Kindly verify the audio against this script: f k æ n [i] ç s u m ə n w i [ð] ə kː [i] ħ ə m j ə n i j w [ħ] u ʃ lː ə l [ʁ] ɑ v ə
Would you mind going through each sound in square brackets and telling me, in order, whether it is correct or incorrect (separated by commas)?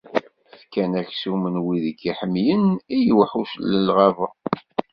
incorrect, correct, correct, correct, correct